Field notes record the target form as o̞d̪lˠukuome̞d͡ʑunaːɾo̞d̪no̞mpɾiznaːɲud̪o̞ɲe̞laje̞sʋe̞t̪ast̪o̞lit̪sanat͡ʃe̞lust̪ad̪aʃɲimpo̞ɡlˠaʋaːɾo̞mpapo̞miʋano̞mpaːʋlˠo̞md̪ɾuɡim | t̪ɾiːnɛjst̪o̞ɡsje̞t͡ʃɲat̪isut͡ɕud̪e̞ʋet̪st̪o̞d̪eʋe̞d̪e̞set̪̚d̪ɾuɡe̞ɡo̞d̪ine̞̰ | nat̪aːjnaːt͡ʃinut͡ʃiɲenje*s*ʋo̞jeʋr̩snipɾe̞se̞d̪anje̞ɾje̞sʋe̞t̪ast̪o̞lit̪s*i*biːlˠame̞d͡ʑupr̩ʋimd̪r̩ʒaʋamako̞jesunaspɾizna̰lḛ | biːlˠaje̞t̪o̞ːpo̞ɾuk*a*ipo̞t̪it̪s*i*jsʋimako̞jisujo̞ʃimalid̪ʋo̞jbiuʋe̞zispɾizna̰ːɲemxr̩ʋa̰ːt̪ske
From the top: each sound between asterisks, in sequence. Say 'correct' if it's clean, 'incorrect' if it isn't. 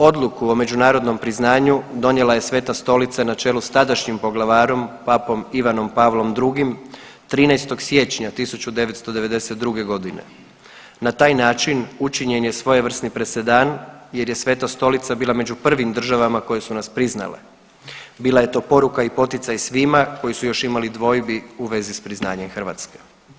correct, incorrect, correct, incorrect

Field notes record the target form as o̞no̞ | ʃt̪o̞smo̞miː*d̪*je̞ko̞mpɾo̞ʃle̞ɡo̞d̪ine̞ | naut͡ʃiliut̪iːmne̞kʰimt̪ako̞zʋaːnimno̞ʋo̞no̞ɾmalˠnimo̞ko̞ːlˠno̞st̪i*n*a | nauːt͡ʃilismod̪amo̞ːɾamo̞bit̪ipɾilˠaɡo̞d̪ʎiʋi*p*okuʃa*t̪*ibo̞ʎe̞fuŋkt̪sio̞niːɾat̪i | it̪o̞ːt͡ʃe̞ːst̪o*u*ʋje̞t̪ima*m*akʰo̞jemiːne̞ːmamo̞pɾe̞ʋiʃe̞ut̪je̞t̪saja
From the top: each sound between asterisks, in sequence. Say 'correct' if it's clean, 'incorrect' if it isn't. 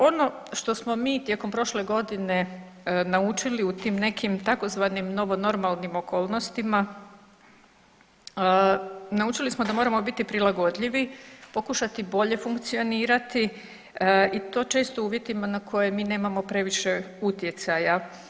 incorrect, incorrect, correct, correct, incorrect, incorrect

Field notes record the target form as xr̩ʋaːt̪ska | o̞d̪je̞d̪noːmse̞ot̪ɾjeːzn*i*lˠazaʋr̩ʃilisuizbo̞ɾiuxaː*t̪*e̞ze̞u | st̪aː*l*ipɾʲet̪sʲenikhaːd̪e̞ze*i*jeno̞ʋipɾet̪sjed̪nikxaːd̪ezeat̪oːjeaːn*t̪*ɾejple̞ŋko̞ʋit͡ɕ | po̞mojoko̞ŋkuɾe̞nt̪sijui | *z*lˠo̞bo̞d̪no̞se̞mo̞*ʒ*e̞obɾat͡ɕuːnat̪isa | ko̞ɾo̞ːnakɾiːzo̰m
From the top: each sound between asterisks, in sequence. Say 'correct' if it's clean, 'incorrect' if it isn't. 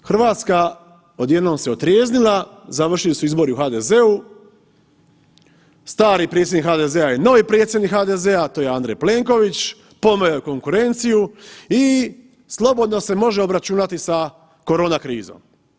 correct, incorrect, incorrect, incorrect, incorrect, incorrect, correct

